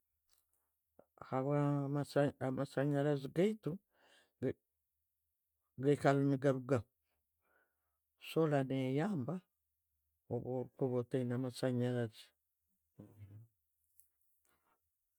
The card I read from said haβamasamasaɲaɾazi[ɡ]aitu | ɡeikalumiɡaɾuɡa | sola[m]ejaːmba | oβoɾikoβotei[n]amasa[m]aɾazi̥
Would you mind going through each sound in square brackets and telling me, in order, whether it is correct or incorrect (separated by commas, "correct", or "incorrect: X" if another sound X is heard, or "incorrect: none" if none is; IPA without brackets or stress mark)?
correct, incorrect: n, correct, incorrect: ɲ